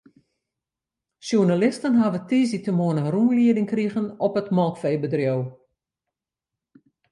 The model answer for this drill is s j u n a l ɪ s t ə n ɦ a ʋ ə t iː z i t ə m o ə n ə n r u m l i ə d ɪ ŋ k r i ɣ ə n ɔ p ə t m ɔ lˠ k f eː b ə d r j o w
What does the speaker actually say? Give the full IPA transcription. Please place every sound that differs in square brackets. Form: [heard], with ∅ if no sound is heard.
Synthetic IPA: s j u n a l ɪ s t ə n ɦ a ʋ ə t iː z i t ə m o ə n ə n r u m l i ə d ɪ ŋ k r i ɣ ə n ɔ p ə t m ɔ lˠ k f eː b ə d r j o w